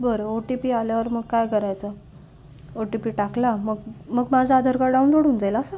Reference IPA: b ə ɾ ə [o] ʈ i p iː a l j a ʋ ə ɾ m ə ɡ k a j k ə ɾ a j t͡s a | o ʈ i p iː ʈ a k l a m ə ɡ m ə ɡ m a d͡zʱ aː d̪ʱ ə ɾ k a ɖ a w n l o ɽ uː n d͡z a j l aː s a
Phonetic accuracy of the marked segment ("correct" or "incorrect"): correct